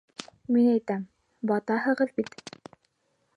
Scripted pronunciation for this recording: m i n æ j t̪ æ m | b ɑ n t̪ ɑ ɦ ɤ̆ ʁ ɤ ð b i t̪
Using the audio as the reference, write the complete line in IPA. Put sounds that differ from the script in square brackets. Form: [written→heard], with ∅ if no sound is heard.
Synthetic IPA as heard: m i n æ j t̪ æ m | b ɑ [n→∅] t̪ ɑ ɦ ɤ̆ ʁ ɤ ð b i t̪